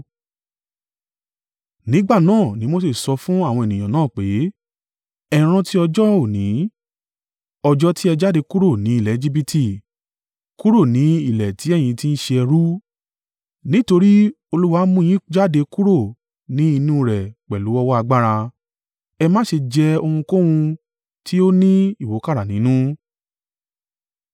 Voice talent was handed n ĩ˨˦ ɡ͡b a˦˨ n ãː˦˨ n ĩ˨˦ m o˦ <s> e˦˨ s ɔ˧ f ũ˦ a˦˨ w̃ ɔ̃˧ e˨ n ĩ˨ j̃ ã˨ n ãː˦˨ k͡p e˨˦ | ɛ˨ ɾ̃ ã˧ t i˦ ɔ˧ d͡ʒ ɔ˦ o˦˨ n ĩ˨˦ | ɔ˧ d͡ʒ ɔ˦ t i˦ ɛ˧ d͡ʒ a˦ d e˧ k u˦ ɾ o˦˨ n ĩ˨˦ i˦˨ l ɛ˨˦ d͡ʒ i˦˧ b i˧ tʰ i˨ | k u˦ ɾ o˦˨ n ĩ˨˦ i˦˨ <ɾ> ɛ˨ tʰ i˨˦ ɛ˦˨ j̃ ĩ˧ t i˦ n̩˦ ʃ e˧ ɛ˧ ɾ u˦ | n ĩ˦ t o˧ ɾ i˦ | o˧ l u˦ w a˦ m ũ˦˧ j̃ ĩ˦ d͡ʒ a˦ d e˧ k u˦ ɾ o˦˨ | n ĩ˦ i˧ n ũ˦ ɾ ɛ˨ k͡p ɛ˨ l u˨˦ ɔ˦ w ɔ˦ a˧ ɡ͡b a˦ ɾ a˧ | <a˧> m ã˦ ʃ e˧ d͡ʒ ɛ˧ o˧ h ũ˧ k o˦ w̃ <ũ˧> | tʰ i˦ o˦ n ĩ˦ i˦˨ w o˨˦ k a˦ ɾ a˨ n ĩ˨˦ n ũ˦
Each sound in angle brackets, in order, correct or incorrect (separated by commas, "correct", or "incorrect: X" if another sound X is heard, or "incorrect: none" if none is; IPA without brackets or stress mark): correct, incorrect: l, incorrect: ɛ˧, correct